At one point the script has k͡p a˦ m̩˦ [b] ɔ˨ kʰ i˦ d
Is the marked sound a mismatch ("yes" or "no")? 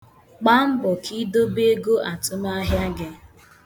no